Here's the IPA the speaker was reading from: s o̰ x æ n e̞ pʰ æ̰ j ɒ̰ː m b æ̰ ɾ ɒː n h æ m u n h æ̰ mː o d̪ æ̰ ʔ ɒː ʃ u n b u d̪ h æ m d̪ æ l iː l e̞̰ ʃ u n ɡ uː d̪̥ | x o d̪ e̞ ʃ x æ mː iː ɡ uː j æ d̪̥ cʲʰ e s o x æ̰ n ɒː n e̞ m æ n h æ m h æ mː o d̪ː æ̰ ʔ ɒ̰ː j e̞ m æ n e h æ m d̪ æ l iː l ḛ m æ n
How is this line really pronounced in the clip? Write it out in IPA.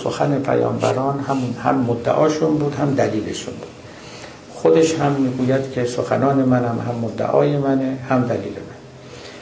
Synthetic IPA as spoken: s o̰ x æ n e̞ pʰ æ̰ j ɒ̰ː m b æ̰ ɾ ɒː n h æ m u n h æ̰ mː o d̪ː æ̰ ʔ ɒː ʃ u n b uː d̪ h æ m d̪ æ l iː l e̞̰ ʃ u n b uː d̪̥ | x o d̪ e̞ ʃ h æ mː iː ɡ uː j æ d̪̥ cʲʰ e s o x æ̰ n ɒː n e̞ m æ n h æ m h æ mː o d̪ː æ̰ ʔ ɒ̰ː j e̞ m æ n e h æ m d̪ æ l iː l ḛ m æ n